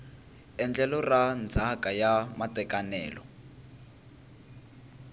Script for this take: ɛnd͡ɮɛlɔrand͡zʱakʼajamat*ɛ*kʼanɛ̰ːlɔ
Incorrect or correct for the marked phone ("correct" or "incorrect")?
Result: correct